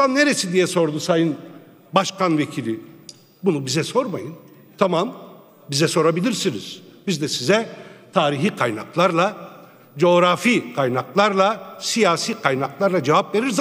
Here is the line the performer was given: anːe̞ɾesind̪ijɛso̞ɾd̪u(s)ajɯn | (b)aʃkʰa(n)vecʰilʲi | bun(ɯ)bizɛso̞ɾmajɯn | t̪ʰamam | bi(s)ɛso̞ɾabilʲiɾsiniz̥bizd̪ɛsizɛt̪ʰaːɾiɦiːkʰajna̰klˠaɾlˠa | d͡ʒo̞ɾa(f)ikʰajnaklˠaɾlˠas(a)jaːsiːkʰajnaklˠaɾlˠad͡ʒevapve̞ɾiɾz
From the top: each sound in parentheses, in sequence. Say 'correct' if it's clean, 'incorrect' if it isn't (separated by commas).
correct, correct, correct, incorrect, incorrect, correct, incorrect